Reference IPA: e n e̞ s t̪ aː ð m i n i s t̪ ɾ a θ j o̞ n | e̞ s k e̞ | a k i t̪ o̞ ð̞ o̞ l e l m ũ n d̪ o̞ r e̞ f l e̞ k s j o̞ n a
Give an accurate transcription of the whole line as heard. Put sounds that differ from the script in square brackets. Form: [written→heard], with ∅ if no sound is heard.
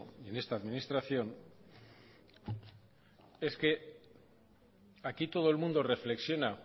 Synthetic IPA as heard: e n e̞ s t̪ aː ð m i n i s t̪ ɾ a θ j o̞ n | e̞ s k e̞ | a k i t̪ o̞ ð̞ o̞ [l→∅] e l m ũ n d̪ o̞ r e̞ f l e̞ k s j o̞ n a